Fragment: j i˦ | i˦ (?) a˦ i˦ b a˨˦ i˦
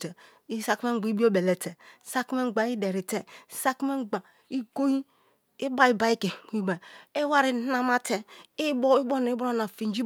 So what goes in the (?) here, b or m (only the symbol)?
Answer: b